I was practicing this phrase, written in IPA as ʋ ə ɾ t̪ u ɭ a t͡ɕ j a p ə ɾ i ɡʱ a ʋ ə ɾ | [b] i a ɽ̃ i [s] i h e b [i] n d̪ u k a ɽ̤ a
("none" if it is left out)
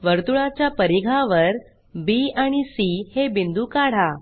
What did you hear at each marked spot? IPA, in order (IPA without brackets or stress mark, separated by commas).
b, s, i